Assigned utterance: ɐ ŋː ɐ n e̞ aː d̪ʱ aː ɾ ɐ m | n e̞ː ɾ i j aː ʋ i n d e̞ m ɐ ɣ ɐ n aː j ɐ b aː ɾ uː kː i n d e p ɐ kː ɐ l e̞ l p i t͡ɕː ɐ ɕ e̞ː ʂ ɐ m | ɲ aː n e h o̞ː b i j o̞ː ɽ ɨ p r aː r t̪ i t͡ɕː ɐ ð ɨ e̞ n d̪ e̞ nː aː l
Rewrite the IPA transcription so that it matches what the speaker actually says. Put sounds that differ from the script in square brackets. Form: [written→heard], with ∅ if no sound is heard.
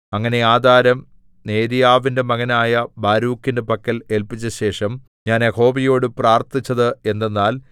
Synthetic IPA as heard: ɐ ŋː ɐ n e̞ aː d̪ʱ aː ɾ ɐ m | n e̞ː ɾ i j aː ʋ i n d e̞ m ɐ ɣ ɐ n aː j ɐ b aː ɾ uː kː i n d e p ɐ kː ɐ l e̞ l p i t͡ɕː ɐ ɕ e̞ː ʂ ɐ m | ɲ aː n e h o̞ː b i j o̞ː ɽ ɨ p r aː r t̪ i t͡ɕː ɐ ð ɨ e̞ n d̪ e̞ nː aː l